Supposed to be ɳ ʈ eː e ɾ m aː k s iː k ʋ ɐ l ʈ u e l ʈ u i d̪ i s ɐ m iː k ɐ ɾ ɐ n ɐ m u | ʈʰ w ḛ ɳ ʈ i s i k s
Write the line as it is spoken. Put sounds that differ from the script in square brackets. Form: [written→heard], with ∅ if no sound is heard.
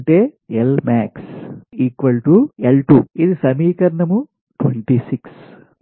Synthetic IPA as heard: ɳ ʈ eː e [ɾ→l] m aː k s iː k ʋ ɐ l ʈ u e l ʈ u i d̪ i s ɐ m iː k ɐ ɾ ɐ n ɐ m u | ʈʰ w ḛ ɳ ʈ i s i k s